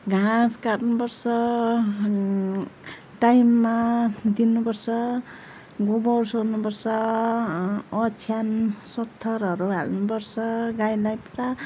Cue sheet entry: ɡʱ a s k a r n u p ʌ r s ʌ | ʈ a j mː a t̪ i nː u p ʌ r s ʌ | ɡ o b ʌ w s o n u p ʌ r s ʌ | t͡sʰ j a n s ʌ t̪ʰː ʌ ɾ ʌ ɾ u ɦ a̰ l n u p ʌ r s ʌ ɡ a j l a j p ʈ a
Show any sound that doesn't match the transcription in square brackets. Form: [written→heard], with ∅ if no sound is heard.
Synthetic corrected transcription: ɡʱ a s k a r n u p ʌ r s ʌ | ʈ a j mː a [t̪→d̪] i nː u p ʌ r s ʌ | ɡ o b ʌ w s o n u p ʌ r s ʌ | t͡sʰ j a n s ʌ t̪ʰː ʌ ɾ ʌ ɾ u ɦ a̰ l n u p ʌ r s ʌ ɡ a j l a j p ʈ a